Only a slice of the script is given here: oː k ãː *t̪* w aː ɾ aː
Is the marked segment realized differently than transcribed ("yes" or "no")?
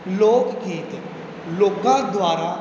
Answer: yes